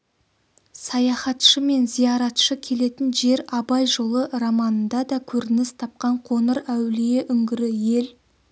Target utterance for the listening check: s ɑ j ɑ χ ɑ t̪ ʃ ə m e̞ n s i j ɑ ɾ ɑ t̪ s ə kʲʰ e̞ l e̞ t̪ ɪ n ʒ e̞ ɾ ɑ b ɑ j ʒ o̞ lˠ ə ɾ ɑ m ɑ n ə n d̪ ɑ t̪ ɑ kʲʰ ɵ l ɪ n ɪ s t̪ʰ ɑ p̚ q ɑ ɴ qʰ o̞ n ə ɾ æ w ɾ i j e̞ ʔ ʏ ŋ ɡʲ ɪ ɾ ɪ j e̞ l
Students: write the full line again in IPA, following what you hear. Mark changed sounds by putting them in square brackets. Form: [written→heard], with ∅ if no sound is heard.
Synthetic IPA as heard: s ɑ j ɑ χ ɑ t̪ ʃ ə m e̞ n [s→z] i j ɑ ɾ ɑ t̪ [s→ʃ] ə kʲʰ e̞ l e̞ t̪ ɪ n ʒ e̞ ɾ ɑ b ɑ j ʒ o̞ lˠ ə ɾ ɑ m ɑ n ə n d̪ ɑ [t̪→d̪] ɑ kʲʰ ɵ [l→ɾ] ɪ n ɪ s t̪ʰ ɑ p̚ q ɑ ɴ qʰ o̞ n ə ɾ æ w [ɾ→l] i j e̞ ʔ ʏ ŋ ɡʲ ɪ ɾ ɪ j e̞ l